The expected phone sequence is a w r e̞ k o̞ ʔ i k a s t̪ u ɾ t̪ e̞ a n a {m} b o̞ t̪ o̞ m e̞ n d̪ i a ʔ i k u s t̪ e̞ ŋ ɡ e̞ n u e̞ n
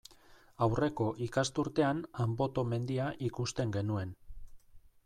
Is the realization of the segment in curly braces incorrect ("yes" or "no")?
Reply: no